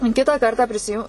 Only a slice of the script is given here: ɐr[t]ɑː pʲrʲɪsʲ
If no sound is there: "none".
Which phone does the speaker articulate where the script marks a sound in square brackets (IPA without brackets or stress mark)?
t